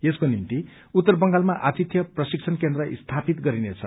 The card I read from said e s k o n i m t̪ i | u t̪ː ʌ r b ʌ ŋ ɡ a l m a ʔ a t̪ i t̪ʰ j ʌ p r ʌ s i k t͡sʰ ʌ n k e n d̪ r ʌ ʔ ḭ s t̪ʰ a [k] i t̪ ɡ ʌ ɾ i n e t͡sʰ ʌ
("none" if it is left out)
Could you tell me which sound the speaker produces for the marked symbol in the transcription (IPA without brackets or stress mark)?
p